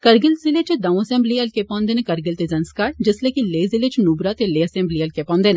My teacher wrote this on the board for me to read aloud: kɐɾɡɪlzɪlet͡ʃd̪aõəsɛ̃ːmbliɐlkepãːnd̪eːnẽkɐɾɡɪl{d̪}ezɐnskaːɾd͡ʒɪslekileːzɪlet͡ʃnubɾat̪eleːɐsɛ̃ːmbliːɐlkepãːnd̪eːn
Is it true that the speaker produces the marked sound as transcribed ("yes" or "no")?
no